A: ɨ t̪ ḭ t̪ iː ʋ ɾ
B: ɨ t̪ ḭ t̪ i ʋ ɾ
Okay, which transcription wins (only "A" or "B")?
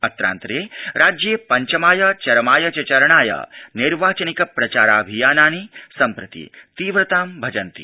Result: A